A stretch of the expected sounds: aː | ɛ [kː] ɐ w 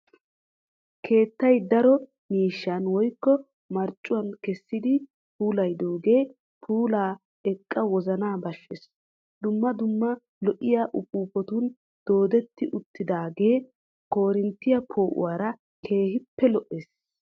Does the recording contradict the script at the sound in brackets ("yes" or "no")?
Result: yes